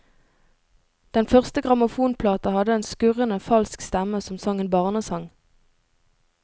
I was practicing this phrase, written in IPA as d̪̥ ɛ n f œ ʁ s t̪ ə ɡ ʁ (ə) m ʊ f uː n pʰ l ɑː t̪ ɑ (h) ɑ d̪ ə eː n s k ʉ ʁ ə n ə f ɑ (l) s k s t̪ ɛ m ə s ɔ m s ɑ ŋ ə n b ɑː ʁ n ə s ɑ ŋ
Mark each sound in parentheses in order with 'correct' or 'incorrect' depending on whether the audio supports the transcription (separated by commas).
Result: incorrect, correct, correct